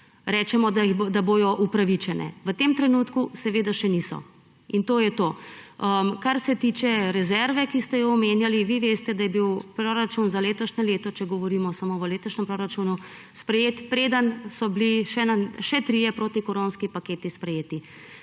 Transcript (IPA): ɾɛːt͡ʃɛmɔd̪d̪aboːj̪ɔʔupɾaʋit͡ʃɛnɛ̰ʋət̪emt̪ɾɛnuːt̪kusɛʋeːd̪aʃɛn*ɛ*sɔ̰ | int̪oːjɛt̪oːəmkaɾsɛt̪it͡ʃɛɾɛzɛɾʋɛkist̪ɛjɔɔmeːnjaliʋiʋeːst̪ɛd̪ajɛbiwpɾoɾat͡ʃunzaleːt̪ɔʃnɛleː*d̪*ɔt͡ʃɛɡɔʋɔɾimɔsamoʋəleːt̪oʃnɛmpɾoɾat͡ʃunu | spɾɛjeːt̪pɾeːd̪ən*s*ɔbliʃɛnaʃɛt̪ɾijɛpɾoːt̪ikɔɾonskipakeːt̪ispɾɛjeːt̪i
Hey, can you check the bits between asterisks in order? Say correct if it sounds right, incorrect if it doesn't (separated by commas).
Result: incorrect, incorrect, correct